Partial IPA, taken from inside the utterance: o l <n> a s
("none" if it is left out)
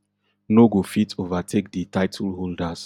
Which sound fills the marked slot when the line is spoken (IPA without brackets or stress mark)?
d